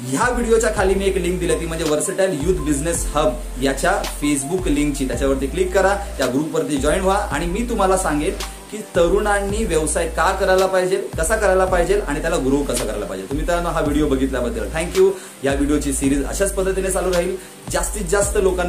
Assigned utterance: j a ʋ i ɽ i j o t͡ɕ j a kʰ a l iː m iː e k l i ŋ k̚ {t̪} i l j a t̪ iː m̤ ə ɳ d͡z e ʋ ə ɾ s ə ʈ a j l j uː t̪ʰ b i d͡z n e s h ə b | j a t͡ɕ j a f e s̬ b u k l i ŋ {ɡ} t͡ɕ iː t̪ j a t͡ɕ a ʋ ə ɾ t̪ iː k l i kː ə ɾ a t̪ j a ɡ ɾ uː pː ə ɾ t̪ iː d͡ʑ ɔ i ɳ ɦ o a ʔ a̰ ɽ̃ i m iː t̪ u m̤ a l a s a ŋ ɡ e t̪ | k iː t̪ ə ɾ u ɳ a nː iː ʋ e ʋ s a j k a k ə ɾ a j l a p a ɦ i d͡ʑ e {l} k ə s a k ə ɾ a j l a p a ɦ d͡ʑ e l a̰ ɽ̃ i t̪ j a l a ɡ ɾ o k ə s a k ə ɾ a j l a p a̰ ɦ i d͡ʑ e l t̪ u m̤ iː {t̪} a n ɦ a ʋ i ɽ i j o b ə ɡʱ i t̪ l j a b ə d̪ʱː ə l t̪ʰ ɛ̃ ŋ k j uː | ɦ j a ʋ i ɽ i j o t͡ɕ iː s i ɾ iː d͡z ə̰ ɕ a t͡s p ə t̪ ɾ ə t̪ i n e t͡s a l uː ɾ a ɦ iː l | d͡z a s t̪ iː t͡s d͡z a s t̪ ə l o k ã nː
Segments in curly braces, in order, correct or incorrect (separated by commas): incorrect, incorrect, correct, correct